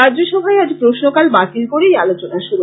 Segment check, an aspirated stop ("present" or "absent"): absent